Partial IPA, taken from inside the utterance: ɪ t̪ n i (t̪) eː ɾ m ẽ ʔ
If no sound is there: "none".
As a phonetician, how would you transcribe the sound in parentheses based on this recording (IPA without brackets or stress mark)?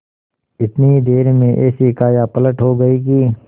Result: d̪